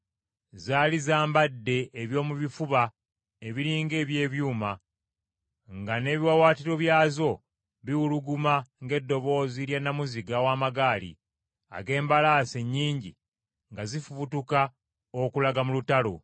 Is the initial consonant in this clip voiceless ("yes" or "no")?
no